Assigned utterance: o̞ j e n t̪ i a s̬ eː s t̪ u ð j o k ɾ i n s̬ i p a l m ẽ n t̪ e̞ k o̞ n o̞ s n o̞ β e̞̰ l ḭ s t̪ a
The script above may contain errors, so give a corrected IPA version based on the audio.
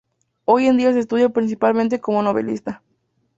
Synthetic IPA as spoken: o̞ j e n d̪ i a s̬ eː s t̪ u ð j o p ɾ i n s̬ i p a l m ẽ n t̪ e̞ k o̞ m o̞ n o̞ β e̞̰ l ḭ s t̪ a